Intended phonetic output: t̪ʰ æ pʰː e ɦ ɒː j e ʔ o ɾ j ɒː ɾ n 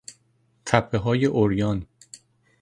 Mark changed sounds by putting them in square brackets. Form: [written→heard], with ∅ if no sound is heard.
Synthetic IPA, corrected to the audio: t̪ʰ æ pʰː e ɦ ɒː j e ʔ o ɾ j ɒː [ɾ→∅] n